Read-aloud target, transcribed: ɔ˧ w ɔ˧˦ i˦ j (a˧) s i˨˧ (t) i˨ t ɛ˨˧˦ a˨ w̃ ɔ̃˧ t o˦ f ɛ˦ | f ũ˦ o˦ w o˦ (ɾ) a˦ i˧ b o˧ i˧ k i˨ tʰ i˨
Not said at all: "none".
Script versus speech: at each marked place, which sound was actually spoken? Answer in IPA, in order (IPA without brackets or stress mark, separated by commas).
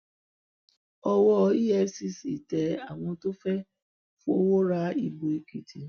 ɛ˧, s, ɾ